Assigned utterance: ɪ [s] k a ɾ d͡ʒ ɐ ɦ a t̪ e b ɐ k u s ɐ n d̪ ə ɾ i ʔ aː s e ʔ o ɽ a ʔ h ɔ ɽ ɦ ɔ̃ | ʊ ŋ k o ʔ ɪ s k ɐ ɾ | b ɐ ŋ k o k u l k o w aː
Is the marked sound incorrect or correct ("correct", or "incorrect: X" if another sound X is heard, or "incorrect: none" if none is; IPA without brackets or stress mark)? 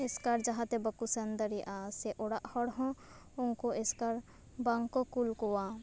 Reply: correct